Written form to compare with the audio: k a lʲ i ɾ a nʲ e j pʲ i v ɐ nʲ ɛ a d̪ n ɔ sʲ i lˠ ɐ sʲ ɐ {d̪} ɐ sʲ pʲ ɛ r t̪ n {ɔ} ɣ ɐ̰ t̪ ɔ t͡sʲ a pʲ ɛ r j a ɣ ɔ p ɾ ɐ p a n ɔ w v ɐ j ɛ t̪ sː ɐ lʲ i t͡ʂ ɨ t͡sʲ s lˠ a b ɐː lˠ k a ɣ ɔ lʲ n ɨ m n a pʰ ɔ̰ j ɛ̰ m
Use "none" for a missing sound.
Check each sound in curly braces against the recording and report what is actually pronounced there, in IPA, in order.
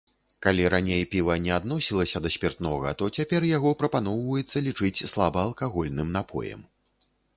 d̪, ɔ

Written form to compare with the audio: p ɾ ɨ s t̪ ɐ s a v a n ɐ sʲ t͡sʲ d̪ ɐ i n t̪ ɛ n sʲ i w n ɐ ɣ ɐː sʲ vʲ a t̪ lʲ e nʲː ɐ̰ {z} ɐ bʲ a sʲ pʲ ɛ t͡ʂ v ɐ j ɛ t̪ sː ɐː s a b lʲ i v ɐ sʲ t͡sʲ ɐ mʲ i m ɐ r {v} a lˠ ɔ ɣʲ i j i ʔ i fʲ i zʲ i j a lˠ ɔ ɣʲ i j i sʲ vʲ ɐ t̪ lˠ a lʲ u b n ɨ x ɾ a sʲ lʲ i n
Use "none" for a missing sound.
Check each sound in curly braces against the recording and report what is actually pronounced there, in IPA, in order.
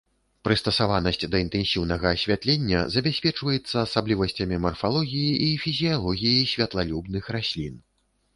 z, f

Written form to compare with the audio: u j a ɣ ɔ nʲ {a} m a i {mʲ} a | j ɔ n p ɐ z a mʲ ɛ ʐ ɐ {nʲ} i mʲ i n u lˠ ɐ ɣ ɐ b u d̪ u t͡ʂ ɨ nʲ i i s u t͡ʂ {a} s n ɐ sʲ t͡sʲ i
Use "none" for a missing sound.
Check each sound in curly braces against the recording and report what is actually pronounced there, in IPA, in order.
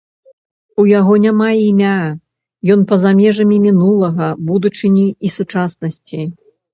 a, mʲ, mʲ, a

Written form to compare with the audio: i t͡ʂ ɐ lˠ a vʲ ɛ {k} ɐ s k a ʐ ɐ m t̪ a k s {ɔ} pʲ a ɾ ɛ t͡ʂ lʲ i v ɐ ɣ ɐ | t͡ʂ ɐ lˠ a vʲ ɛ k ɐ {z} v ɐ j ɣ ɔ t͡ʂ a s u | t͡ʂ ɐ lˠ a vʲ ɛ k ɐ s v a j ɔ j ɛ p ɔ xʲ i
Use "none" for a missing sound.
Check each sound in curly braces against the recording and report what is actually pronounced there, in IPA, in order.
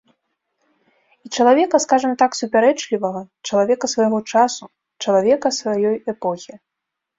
k, u, s

